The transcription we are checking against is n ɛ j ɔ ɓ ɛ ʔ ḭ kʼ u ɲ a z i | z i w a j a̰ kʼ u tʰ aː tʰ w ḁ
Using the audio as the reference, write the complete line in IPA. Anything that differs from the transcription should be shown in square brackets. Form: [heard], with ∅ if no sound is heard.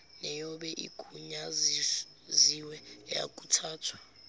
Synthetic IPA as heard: n ɛ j ɔ ɓ ɛ ʔ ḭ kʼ u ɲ a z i | z i w [ɛ] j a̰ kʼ u tʰ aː tʰ w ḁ

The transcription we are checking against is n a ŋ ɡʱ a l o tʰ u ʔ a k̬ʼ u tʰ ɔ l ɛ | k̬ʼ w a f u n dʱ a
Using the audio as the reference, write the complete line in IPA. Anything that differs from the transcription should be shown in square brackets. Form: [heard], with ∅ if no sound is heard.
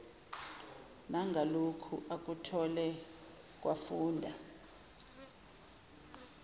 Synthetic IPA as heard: n a ŋ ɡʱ a l o [kʰ] u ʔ a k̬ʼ u tʰ ɔ l ɛ | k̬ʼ w a f [uː] n dʱ a

